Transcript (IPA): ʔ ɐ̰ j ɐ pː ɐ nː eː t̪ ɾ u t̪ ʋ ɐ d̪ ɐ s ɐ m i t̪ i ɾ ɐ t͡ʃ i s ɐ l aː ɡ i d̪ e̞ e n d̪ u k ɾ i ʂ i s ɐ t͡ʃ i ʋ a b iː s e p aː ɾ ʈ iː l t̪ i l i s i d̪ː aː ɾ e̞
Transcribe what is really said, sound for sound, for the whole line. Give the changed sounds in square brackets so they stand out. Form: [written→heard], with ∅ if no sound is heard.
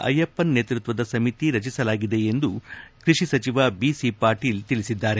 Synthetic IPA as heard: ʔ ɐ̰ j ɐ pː ɐ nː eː t̪ ɾ u t̪ ʋ ɐ d̪ ɐ s ɐ m i t̪ i ɾ ɐ t͡ʃ i s ɐ l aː ɡ i d̪ e̞ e n d̪ u k ɾ i ʂ i s ɐ t͡ʃ i ʋ a b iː s [e→i] p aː ɾ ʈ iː l t̪ i l i s i d̪ː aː ɾ e̞